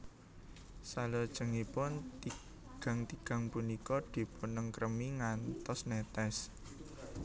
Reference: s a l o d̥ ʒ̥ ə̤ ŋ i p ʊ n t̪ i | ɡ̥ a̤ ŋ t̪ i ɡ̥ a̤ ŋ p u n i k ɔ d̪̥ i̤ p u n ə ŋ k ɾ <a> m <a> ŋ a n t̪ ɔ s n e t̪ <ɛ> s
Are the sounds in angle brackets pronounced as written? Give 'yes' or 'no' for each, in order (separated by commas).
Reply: no, no, yes